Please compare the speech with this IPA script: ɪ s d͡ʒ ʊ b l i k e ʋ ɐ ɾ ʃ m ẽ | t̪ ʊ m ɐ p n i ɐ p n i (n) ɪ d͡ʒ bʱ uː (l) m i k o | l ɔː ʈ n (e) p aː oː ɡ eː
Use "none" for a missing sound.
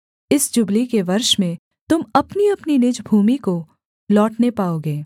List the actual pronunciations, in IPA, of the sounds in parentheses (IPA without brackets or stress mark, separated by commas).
n, none, e